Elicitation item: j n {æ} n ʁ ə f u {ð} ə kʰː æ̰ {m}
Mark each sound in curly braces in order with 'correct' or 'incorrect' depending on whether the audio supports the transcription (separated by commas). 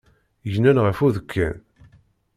correct, correct, incorrect